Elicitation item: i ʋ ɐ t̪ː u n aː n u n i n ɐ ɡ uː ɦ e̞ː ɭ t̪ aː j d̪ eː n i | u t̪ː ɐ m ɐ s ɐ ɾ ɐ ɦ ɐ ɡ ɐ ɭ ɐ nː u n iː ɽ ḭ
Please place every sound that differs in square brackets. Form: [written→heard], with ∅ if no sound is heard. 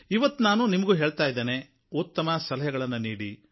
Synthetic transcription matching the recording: i ʋ ɐ t̪ː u n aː n u n i [n→m] ɐ ɡ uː ɦ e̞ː ɭ t̪ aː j d̪ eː n [i→e] | u t̪ː ɐ m ɐ s ɐ [ɾ→l] ɐ ɦ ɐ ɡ ɐ ɭ ɐ nː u n iː ɽ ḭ